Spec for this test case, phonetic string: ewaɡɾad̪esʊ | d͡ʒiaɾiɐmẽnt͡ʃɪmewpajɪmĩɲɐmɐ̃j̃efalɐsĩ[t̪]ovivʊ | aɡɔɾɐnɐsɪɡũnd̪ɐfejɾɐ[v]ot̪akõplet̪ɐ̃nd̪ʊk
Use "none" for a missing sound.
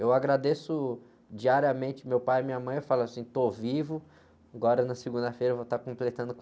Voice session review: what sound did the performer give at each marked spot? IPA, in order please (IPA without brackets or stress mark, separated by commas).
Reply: t̪, v